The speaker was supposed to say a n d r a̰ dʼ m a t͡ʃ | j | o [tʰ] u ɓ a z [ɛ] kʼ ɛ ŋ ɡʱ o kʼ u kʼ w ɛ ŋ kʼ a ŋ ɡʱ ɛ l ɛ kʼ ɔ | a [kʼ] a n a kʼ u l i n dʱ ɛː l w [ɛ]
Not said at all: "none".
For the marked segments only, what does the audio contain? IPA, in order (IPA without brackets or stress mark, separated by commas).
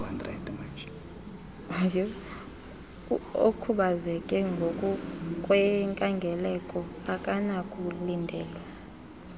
kʰ, ɛ, kʼ, a